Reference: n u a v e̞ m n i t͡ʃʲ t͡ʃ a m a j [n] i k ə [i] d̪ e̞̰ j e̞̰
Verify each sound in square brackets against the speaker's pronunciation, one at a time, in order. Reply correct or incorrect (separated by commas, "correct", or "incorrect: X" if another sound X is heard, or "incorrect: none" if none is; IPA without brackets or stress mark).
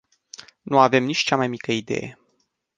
incorrect: m, correct